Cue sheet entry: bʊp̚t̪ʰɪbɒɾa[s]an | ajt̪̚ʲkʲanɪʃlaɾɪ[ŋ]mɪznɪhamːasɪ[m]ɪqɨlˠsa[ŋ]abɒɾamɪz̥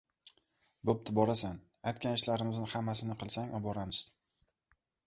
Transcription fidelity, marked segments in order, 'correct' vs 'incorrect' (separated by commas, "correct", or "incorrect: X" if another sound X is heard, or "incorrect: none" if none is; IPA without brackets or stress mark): correct, incorrect: none, incorrect: n, correct